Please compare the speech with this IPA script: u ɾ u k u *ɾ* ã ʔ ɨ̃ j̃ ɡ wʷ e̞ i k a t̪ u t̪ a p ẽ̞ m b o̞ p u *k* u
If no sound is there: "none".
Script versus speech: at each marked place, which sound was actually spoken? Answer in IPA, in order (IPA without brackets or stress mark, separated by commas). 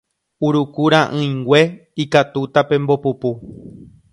ɾ, p